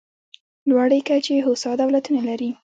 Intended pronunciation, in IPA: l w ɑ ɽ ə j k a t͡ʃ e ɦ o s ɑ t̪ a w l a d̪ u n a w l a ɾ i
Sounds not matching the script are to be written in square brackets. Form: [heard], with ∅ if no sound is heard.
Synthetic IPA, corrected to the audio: l w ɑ ɽ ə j k a t͡ʃ e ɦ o s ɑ [d̪] a w l a [t̪] u n a [∅] l a ɾ i